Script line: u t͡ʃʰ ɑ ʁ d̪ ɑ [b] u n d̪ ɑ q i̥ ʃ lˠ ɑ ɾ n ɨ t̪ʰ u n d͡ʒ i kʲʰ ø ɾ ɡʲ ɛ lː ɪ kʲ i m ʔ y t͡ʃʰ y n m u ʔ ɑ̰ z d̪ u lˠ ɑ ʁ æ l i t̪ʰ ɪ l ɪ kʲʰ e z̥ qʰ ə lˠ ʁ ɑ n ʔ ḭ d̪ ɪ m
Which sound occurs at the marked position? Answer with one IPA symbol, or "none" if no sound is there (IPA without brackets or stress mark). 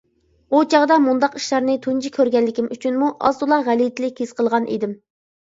m